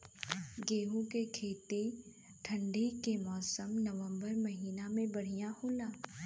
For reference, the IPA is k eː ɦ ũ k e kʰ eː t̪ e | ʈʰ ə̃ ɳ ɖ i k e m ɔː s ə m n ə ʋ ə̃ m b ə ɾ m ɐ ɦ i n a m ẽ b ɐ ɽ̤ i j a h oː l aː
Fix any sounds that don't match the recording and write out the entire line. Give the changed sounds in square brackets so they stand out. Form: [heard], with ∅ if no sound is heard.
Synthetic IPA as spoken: [ɡ] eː ɦ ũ k e kʰ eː t̪ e | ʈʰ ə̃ ɳ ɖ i k e m ɔː s ə m n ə ʋ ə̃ m b ə ɾ m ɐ ɦ [iː] n a m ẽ b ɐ ɽ̤ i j a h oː l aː